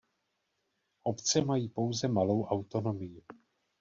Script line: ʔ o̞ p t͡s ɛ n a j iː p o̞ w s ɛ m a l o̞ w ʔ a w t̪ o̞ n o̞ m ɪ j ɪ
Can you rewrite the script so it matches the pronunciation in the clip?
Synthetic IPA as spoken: ʔ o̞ p t͡s ɛ m a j iː p o̞ w z ɛ m a l o̞ w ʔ a w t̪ o̞ n o̞ m ɪ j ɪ